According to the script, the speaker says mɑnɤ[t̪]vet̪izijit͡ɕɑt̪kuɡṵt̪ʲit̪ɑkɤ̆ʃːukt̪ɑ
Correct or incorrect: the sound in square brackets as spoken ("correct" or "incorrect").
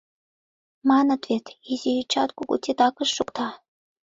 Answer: correct